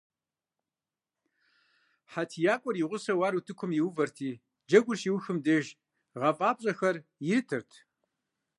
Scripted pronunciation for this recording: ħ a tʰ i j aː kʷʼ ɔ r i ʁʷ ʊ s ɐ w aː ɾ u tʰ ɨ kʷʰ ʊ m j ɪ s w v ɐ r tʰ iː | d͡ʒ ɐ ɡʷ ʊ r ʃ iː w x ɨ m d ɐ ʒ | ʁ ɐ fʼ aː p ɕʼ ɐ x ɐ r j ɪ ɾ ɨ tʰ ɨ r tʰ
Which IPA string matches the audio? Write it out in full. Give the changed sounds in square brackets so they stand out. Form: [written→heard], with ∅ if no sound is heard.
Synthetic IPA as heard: ħ a tʰ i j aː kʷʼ ɔ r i ʁʷ ʊ s ɐ w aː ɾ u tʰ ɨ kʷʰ ʊ m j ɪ [s→∅] w v ɐ r tʰ iː | d͡ʒ ɐ ɡʷ ʊ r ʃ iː w x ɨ m d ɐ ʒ | ʁ ɐ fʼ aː p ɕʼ ɐ x ɐ r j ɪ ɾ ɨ tʰ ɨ r tʰ